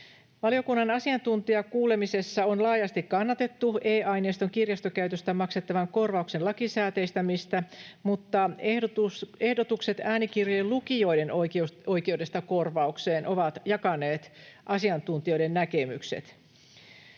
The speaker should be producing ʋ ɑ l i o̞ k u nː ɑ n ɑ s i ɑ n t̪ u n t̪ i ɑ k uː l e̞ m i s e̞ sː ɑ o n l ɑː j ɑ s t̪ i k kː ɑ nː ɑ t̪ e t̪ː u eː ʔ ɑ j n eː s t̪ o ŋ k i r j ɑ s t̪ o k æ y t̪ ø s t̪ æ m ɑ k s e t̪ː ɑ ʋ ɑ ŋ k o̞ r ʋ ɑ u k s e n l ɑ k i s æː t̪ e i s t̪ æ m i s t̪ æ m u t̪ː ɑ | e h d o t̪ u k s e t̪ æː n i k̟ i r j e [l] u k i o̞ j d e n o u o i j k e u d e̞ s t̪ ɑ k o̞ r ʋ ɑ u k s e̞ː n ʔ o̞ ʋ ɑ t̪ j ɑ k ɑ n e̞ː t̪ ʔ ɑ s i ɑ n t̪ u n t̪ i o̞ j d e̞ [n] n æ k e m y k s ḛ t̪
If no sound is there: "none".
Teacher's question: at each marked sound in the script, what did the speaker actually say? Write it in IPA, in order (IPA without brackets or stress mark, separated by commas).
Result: l, n